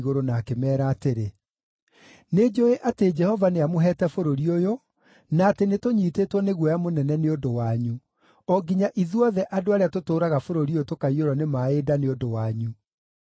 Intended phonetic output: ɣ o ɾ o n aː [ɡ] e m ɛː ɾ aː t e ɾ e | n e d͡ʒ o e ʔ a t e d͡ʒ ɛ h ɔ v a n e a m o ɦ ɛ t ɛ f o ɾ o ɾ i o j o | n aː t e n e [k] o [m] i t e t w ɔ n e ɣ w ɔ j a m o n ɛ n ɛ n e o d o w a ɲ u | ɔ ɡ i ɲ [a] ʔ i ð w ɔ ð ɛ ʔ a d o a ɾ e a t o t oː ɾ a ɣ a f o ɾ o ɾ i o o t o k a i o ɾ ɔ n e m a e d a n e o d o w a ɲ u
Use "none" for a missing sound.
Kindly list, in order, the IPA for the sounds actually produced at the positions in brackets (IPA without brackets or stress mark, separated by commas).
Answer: k, t, ɲ, a